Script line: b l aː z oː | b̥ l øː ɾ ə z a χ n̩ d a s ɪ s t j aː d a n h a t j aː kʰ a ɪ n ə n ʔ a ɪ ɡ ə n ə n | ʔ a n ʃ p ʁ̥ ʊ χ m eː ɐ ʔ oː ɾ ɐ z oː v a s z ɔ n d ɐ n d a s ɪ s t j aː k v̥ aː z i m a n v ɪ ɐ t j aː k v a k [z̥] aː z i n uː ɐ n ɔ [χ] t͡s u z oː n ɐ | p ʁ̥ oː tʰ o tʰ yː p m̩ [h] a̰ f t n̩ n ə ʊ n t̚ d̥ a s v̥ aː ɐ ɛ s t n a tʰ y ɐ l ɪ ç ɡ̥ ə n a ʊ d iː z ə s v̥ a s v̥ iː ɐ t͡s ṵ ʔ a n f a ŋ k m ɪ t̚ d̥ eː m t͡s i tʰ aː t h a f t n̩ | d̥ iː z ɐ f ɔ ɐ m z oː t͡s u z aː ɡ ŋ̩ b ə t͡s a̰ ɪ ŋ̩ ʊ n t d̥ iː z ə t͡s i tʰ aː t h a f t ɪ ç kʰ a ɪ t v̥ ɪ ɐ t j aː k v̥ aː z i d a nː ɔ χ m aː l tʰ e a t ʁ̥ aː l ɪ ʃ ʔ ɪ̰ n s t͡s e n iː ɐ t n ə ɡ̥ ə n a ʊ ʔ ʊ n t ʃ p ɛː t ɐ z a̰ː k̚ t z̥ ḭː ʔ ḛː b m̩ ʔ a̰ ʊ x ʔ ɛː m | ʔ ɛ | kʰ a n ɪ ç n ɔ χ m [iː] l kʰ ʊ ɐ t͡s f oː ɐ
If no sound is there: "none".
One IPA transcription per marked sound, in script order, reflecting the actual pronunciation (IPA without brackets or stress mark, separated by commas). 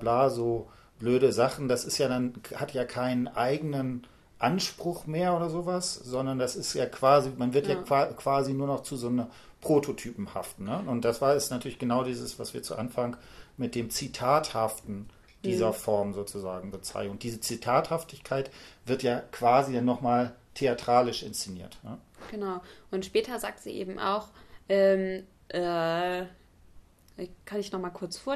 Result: v̥, χ, h, aː